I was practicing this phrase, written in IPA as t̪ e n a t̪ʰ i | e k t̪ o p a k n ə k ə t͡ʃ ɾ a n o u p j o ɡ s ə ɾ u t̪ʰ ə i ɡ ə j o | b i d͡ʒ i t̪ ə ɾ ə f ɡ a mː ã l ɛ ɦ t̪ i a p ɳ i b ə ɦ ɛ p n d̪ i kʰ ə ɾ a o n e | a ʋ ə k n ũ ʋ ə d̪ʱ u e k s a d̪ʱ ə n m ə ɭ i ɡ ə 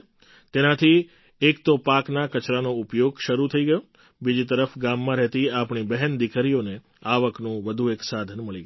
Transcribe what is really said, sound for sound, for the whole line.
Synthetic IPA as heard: t̪ e n a t̪ʰ i | e k t̪ o p a k n a k ə t͡ʃ ɾ a n o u p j o ɡ ʃ ə ɾ u t̪ʰ ə i ɡ ə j o | b i d͡ʒ i t̪ ə ɾ ə f ɡ a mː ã ɾ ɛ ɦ t̪ i a p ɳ i b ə ɦ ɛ n d̪ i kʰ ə ɾ i o n e | a ʋ ə k n ũ ʋ ə d̪ʱ u e k s a d̪ʱ ə n m ə ɭ i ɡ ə